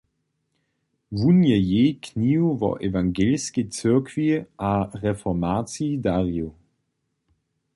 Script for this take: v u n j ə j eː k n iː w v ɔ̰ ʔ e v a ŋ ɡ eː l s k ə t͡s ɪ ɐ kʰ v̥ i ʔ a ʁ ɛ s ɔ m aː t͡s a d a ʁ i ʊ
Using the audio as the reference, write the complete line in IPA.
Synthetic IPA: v u n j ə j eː k n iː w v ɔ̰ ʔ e v a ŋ ɡ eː l s k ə t͡s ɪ ɐ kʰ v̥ i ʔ a ʁ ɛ f ɔ m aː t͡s i d a ʁ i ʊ

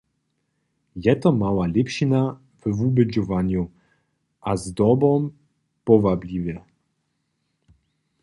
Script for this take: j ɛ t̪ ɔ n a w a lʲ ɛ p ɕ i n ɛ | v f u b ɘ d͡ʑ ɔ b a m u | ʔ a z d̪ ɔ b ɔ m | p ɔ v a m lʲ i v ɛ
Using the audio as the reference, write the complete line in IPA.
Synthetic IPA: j ɛ t̪ ɔ m a w a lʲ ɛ p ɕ i n a | v v u b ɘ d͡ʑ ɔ v a ɲ u | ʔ a z d̪ ɔ b ɔ m | p ɔ v a b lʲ i v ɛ

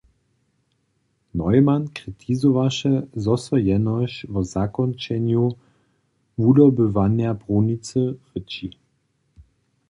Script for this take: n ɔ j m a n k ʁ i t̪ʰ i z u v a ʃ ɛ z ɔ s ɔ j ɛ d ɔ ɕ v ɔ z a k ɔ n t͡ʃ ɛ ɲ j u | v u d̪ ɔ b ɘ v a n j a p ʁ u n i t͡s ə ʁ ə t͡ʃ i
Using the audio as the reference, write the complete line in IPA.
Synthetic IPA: n ɔ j m a n k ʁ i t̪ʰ i z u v a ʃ ɛ z ɔ s ɔ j ɛ n ɔ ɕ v ɔ z a k ɔ n t͡ʃ ɛ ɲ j u | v u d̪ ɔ b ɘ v a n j a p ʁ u n i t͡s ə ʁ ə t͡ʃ i

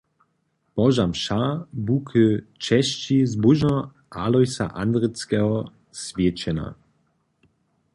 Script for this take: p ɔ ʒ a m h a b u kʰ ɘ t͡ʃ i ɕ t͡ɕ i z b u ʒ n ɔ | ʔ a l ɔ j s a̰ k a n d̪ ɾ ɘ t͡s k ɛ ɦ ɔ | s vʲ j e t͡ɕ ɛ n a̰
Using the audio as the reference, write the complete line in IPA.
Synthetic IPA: p ɔ ʒ a m ʃ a b u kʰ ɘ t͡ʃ ɛ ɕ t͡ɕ i z b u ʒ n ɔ | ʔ a l ɔ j s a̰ ʔ a n d̪ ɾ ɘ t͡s k ɛ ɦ ɔ | s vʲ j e t͡ɕ ɛ n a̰

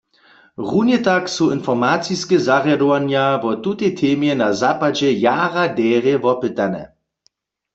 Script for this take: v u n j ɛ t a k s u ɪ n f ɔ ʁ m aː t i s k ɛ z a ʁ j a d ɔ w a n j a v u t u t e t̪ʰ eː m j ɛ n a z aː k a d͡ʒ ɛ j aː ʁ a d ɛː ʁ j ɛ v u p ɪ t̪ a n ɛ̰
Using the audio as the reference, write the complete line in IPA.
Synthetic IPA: ʁ u n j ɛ t a k s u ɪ n f ɔ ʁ m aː t͡s i s k ɛ z a ʁ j a d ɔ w a n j a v ɔ t u t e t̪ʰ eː m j ɛ n a z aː p a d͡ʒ ɛ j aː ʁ a d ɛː ʁ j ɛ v ɔ p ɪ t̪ a n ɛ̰

